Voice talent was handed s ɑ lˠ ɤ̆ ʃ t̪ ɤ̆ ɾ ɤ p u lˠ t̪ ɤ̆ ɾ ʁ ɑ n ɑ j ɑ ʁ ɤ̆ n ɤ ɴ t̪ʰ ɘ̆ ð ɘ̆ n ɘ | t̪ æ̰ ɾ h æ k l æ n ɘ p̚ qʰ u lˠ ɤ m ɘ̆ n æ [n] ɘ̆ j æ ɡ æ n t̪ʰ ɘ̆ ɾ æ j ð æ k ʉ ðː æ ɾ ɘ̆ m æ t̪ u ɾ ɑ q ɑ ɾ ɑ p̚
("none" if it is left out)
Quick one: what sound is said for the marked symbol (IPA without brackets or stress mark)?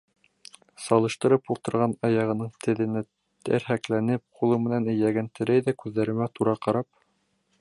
n